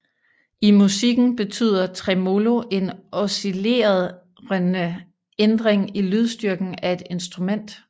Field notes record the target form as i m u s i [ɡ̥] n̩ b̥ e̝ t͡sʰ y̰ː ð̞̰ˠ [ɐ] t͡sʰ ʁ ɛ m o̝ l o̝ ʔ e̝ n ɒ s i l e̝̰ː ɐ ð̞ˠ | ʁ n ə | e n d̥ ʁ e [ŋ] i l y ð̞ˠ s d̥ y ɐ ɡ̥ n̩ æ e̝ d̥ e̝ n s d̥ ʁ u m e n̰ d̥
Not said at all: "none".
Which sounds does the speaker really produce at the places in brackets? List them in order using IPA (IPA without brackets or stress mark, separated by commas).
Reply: ɡ̥, ɐ, ŋ